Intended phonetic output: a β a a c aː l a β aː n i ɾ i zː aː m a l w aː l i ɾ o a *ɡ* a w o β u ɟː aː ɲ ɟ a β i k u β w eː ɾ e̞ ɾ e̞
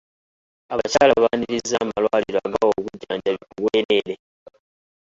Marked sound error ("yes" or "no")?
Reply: no